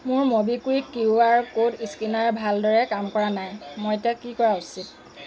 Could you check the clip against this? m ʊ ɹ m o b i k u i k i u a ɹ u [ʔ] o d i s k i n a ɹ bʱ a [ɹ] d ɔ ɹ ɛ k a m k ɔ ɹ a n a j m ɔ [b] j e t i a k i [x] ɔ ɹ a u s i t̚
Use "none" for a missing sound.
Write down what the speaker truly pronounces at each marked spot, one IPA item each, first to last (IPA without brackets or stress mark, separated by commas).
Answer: k, l, none, k